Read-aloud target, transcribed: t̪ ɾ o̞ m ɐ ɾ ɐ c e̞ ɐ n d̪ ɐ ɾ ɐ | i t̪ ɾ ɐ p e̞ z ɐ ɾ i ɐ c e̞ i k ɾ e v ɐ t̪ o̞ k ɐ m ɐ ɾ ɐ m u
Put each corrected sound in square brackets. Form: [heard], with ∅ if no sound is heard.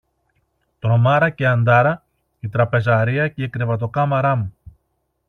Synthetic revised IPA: t̪ ɾ o̞ m ɐ ɾ ɐ c e̞ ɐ n d̪ ɐ ɾ ɐ | i t̪ ɾ ɐ p e̞ z ɐ ɾ i ɐ c e̞ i k ɾ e v ɐ t̪ o̞ k ɐ m ɐ ɾ ɐ m u